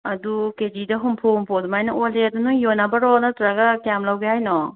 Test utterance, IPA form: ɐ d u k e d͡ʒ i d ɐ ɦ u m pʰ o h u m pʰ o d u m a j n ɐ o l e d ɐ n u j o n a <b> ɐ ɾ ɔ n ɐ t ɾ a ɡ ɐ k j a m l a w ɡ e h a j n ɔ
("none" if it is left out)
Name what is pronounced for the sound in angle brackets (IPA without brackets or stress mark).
b